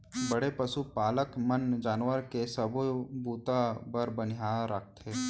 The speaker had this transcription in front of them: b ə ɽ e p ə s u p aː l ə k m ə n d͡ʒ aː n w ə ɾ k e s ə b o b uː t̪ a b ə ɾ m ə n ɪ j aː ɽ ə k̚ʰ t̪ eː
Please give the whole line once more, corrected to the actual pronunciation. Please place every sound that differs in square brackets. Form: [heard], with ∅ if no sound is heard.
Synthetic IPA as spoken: b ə ɽ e p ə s u p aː l ə k m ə n d͡ʒ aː n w ə ɾ k e s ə b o b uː t̪ a b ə ɾ [b] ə n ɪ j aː [ɾ] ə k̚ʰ t̪ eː